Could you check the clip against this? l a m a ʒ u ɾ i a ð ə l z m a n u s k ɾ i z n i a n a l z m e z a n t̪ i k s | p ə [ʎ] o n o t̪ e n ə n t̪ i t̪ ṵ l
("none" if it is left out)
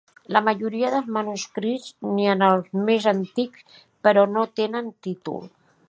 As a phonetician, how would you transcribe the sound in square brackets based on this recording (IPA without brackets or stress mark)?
ɾ